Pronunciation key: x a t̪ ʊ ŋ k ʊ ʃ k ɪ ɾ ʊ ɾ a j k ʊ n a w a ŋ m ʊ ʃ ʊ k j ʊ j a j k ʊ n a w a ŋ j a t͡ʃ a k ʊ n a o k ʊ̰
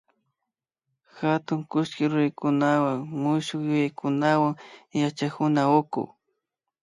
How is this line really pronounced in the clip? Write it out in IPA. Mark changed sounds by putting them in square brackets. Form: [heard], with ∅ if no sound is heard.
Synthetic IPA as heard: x a t̪ ʊ ŋ k ʊ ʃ k ɪ ɾ ʊ ɾ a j k ʊ n a w a ŋ m ʊ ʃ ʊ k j ʊ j a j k ʊ n a w a ŋ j a t͡ʃ a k ʊ n a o k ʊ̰